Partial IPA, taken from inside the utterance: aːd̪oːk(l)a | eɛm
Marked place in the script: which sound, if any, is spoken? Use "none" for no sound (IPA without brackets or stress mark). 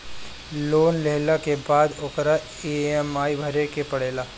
ɾ